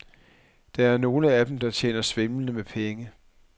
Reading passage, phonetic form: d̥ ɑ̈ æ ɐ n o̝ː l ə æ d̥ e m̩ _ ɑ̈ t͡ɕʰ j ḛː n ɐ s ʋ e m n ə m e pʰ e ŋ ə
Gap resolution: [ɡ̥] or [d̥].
d̥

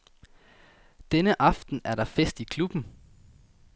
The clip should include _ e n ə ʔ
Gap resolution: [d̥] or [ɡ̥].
d̥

